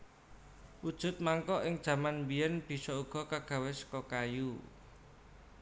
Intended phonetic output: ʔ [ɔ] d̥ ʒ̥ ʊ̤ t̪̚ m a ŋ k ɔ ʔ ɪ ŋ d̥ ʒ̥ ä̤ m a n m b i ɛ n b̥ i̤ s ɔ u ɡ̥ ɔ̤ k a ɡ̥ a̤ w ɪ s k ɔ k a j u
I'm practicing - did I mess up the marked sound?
yes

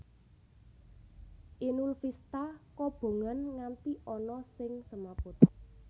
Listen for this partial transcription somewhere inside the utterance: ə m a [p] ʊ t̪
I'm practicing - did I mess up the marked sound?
no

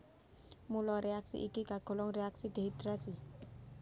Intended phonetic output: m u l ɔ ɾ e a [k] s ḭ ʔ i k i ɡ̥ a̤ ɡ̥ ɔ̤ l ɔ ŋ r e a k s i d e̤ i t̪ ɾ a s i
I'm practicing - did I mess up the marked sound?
no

